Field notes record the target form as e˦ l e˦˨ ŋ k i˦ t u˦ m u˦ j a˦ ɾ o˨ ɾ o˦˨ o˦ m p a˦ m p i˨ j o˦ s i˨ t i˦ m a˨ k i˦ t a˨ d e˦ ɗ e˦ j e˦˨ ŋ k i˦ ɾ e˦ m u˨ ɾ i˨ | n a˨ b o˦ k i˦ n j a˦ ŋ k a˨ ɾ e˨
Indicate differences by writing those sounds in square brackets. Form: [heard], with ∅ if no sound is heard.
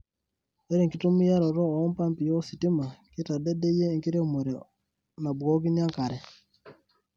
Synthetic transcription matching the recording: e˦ [ɾ] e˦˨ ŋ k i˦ t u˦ m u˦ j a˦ ɾ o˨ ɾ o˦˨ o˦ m p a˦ m p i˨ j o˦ s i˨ t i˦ m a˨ k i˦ t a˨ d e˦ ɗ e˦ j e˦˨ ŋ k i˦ ɾ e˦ m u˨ ɾ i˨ | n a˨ b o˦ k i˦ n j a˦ ŋ k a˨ ɾ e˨